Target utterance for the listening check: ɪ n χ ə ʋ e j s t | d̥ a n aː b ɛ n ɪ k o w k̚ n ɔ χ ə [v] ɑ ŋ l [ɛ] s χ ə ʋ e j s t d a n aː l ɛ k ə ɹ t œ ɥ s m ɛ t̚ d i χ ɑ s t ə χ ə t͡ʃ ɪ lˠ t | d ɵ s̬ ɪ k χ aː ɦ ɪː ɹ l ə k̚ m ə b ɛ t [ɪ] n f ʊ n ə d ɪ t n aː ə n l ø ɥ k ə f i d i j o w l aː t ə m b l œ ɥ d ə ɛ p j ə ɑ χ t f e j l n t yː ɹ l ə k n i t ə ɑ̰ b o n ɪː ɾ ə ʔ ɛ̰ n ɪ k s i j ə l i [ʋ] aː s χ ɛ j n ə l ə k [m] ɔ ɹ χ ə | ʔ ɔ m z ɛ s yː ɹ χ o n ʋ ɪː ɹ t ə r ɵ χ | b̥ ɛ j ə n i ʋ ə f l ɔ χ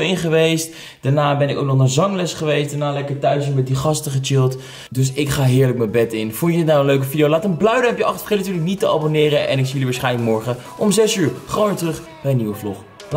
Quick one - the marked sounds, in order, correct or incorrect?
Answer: incorrect: z, correct, correct, correct, correct

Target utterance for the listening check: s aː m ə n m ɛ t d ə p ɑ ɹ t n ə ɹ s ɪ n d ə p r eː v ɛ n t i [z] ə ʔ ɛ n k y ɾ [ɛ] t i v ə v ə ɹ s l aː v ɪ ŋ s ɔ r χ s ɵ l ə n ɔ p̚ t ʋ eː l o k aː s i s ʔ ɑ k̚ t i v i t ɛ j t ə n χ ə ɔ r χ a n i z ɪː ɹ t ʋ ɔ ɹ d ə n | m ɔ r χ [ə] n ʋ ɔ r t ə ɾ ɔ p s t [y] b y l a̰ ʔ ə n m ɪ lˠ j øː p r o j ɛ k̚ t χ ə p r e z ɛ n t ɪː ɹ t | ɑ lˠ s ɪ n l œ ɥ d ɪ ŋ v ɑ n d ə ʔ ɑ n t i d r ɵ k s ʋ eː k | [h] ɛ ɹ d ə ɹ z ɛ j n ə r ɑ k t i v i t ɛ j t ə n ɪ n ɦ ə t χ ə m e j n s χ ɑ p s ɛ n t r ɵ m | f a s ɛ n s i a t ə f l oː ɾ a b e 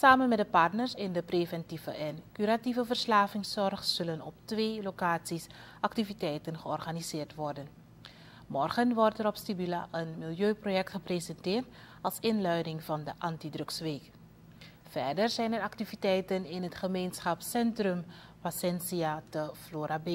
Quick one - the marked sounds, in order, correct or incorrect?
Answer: incorrect: v, incorrect: a, correct, incorrect: i, incorrect: f

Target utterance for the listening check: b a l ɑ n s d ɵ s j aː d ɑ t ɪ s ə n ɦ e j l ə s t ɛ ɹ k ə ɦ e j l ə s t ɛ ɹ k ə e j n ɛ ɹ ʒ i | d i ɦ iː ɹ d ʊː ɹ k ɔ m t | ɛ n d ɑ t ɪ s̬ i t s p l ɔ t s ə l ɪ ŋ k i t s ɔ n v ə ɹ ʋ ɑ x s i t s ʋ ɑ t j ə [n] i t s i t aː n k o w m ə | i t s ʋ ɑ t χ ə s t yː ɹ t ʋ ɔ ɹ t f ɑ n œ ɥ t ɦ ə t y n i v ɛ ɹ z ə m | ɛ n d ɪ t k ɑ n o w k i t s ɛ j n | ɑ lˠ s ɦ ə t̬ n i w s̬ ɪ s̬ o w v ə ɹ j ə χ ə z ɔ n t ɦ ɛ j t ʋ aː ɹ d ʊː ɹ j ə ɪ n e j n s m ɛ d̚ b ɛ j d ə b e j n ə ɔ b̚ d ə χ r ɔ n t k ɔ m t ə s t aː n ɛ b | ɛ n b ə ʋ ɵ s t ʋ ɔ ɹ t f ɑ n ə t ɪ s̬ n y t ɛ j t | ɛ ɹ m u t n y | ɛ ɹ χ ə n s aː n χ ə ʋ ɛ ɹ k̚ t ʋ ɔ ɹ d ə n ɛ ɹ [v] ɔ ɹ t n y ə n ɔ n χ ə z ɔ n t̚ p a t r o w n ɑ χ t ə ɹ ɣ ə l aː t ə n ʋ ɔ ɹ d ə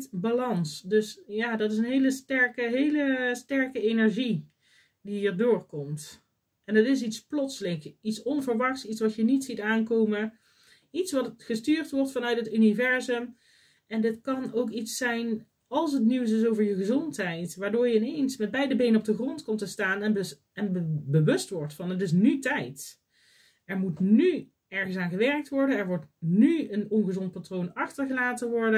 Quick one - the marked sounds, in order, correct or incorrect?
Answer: correct, incorrect: ʋ

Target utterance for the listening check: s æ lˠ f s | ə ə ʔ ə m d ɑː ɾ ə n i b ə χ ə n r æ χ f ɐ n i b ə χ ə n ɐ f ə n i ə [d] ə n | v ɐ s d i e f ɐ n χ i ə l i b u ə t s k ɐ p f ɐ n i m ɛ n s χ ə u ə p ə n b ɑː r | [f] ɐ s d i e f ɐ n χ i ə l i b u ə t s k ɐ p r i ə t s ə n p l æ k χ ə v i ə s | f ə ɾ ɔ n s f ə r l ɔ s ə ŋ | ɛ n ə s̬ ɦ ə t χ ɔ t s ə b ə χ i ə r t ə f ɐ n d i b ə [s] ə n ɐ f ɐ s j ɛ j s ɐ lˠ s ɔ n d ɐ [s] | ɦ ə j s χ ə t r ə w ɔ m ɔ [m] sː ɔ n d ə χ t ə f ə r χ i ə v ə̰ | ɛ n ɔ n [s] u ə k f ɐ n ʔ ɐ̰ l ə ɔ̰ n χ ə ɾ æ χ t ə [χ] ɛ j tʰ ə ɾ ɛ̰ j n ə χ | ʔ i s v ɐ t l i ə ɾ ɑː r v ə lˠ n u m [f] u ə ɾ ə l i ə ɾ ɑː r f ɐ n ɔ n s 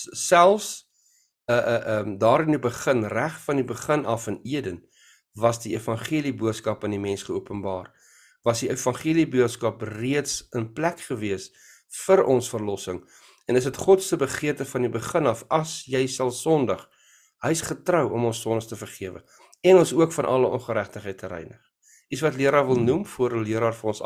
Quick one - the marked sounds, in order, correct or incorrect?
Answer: correct, incorrect: v, incorrect: χ, incorrect: χ, incorrect: n, correct, correct, correct

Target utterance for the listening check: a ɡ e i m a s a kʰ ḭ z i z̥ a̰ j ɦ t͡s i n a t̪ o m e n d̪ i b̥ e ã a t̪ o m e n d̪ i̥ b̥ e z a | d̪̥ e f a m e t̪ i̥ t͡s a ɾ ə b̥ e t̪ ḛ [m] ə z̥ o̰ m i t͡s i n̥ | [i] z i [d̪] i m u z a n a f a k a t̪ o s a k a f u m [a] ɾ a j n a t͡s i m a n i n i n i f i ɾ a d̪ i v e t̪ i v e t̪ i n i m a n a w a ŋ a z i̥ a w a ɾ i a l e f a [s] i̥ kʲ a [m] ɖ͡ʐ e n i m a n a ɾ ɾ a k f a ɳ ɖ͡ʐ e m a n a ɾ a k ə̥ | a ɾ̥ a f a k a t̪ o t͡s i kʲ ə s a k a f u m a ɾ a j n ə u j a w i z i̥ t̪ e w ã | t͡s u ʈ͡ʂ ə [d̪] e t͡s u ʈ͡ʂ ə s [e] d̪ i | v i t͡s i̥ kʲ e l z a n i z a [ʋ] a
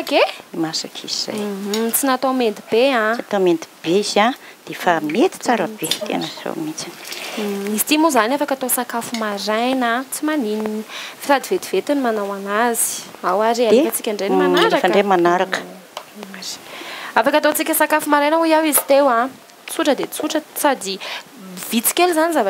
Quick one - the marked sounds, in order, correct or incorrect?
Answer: incorrect: n, correct, incorrect: t̪, correct, incorrect: t͡s, incorrect: ɳ, correct, incorrect: a, incorrect: v

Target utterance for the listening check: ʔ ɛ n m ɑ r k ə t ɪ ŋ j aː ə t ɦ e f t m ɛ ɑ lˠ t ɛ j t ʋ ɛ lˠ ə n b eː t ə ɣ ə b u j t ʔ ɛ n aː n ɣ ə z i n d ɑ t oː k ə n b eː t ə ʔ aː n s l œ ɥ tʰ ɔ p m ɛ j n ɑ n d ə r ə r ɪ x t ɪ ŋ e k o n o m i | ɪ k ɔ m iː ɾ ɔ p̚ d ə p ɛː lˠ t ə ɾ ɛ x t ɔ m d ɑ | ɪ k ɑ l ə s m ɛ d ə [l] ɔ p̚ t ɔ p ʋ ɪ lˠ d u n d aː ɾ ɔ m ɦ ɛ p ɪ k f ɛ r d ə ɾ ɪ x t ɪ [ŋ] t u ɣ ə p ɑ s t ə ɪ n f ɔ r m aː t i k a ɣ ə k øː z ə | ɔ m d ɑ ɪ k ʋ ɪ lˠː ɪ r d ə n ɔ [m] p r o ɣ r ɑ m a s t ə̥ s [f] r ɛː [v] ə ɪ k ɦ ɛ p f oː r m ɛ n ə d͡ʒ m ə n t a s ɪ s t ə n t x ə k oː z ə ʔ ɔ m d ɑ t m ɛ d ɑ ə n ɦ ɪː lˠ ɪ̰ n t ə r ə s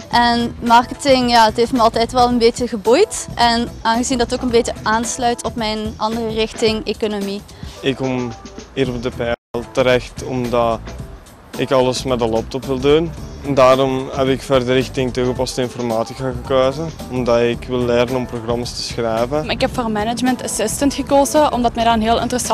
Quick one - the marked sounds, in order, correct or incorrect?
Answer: correct, correct, correct, incorrect: x, correct

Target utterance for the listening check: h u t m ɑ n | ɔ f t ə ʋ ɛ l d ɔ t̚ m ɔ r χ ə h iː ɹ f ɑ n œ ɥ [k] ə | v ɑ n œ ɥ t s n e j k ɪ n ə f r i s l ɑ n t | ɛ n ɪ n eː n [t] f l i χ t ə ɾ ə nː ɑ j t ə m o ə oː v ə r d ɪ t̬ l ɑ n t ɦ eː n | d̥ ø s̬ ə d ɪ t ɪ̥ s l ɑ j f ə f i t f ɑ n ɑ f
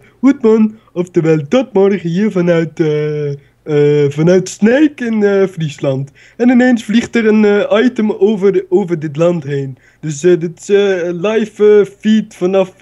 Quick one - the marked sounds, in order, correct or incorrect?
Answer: incorrect: t, incorrect: s

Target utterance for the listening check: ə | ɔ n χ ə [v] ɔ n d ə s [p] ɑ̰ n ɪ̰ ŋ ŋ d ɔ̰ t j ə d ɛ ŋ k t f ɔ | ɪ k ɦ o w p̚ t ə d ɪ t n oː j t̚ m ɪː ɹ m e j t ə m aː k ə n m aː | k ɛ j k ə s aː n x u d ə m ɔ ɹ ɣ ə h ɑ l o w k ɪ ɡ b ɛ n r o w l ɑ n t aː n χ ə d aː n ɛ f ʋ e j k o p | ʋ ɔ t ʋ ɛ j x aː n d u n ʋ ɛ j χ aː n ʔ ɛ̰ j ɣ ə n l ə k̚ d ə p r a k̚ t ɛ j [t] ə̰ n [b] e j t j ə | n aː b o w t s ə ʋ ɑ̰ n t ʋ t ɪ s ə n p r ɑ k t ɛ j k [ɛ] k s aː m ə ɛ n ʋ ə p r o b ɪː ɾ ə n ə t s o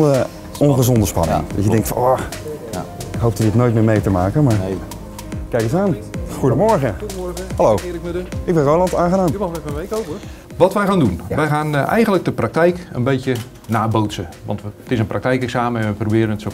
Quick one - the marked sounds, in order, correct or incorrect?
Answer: incorrect: z, correct, incorrect: k, correct, correct

